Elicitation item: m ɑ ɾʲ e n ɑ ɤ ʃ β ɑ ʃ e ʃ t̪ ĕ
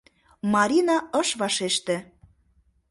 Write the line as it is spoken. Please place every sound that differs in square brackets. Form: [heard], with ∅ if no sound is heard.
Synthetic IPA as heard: m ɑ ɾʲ [i] n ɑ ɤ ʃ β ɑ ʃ e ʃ t̪ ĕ